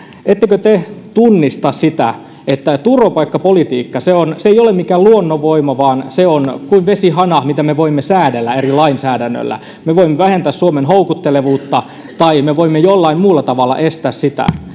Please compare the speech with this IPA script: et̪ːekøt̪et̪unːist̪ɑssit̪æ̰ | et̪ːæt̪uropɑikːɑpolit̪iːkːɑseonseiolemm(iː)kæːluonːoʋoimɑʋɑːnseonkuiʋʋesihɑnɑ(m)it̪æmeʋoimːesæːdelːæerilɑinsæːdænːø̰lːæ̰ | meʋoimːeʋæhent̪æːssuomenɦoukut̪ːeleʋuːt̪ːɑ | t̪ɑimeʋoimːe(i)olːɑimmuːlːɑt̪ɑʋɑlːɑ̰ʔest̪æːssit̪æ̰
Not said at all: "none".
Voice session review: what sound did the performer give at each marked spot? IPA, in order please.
i, m, j

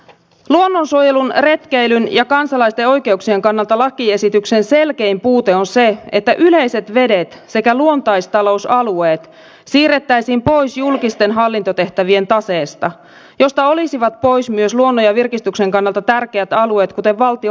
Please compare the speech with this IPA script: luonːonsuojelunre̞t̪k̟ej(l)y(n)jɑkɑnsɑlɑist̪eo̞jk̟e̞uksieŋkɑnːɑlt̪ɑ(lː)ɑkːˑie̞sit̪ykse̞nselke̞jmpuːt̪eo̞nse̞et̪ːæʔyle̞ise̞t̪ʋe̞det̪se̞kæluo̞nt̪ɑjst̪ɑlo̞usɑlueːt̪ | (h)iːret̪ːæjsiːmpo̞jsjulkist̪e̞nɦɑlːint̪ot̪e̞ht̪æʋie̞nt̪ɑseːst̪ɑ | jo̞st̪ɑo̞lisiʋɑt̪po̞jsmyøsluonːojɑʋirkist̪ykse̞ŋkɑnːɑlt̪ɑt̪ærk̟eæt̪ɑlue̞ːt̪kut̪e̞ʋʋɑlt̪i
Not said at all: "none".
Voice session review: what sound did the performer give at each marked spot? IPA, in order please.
l, n, l, s

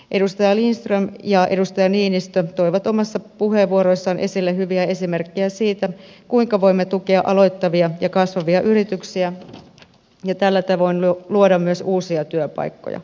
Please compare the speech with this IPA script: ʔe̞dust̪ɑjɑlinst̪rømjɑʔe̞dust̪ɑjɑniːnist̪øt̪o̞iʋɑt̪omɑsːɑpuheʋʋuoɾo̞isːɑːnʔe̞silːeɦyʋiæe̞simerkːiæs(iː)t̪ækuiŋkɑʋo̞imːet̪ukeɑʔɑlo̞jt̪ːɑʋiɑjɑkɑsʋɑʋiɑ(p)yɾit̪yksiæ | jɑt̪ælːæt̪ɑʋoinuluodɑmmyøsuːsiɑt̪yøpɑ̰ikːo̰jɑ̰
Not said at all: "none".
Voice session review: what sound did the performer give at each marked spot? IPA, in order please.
iː, ʔ

